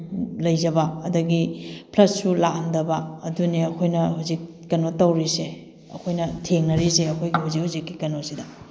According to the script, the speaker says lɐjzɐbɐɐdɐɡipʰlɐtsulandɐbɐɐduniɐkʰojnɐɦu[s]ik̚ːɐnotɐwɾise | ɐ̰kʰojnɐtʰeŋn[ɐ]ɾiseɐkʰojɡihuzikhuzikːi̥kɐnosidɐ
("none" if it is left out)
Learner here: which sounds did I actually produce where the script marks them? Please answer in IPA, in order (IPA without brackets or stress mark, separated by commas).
z, ɐ